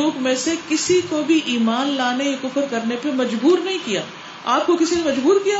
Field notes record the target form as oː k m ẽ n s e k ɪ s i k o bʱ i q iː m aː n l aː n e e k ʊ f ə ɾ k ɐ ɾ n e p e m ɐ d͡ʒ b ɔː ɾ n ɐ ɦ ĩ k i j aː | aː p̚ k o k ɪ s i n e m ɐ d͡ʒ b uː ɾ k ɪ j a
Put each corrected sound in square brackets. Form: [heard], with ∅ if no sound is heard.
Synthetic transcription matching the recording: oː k m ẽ [∅] s e k ɪ s i k o bʱ i [ʔ] iː m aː n l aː n e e k ʊ f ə ɾ k ɐ ɾ n e p e m ɐ d͡ʒ b [uː] ɾ n ɐ ɦ ĩ k i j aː | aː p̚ k o k ɪ s i n e m ɐ d͡ʒ b uː ɾ k [i] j a